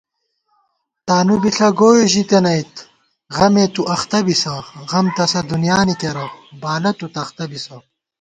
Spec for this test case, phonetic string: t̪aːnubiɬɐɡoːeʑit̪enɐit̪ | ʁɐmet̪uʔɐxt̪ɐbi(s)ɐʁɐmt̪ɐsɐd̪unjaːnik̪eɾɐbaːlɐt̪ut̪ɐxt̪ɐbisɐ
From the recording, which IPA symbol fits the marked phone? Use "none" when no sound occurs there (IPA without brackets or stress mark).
s